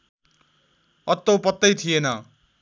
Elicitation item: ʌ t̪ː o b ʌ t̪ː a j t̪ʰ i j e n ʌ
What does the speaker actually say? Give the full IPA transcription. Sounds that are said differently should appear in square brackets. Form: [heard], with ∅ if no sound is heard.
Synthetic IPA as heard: ʌ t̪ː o [p] ʌ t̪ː [ʌ] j t̪ʰ i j e n ʌ